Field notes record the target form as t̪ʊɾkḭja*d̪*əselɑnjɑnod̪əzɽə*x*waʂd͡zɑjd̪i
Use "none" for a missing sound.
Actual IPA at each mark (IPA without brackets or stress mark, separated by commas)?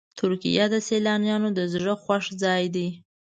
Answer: d̪, x